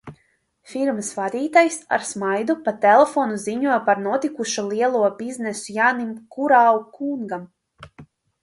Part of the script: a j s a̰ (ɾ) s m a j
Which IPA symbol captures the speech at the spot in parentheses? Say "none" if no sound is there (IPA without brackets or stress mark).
ɾ